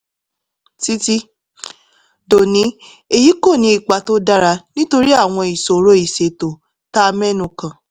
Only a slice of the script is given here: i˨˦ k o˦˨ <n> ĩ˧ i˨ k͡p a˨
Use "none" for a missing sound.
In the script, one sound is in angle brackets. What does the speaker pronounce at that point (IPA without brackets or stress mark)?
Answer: n